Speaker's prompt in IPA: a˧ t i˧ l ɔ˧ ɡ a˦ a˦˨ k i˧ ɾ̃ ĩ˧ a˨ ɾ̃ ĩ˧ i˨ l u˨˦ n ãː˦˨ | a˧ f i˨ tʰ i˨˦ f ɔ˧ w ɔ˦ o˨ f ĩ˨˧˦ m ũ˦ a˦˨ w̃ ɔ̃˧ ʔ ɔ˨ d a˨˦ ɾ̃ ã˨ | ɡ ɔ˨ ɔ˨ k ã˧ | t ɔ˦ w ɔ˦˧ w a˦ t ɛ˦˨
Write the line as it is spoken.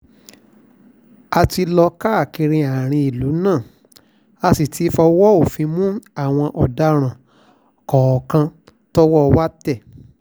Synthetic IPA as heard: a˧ t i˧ l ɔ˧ k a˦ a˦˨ k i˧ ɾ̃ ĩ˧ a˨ ɾ̃ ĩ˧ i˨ l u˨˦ n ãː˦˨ | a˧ s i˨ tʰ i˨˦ f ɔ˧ w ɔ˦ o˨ f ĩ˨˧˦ m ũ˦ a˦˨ w̃ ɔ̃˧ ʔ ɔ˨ d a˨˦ ɾ̃ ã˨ | k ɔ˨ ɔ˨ k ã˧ | t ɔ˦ w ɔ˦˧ w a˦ t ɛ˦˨